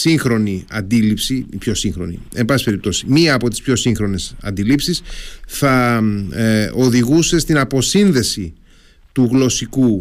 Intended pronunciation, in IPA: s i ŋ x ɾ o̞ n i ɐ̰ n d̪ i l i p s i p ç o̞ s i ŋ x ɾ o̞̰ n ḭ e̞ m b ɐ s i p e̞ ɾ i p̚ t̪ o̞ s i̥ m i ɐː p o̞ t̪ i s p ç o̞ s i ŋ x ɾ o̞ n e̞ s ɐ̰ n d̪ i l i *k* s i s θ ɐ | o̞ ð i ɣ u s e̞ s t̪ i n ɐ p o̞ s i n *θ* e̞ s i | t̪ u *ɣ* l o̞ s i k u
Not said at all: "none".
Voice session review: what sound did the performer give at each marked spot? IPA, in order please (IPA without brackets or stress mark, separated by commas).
p, ð, ɣ